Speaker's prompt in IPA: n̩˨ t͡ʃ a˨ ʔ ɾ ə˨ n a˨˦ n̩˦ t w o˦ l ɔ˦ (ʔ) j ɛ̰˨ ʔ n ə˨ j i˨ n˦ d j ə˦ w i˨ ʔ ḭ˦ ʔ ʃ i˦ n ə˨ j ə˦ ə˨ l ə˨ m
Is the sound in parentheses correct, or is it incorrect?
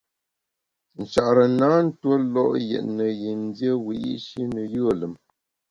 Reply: correct